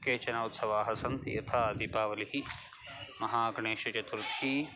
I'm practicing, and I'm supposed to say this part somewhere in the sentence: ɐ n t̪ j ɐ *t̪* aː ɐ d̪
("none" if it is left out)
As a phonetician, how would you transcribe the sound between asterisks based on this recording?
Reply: t̪ʰ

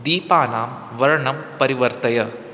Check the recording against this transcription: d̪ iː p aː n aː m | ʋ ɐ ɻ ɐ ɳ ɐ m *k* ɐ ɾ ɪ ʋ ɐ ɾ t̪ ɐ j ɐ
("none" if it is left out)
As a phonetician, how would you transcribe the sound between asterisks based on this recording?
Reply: p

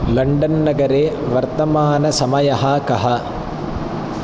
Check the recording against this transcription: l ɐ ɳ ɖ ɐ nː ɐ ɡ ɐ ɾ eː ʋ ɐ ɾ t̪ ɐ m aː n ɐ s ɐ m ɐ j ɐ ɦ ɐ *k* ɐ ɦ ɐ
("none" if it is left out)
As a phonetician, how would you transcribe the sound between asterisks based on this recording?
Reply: k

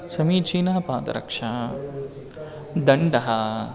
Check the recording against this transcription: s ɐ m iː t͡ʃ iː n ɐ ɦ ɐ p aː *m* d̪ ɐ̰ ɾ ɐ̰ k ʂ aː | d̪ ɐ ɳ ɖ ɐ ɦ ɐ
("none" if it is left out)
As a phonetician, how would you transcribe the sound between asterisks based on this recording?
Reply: none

